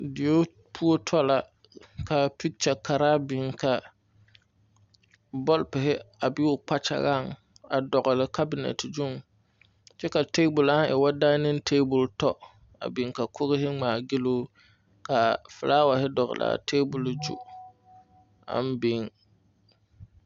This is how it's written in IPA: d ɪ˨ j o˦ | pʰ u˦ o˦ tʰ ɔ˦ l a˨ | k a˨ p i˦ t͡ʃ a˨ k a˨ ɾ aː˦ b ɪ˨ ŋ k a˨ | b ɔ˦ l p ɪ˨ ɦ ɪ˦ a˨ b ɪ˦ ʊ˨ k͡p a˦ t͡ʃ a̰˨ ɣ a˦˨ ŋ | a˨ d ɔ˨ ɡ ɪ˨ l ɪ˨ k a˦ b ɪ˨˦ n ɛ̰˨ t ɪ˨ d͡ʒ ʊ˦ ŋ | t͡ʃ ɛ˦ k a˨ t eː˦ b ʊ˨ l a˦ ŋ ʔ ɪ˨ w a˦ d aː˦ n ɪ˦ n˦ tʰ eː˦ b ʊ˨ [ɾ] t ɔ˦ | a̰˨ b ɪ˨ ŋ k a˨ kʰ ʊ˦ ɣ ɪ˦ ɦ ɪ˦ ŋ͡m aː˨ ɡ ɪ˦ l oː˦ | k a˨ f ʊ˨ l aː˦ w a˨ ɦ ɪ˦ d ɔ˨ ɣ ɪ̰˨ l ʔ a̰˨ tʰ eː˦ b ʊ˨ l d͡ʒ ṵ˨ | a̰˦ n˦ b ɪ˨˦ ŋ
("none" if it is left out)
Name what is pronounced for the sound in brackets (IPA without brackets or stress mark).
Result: l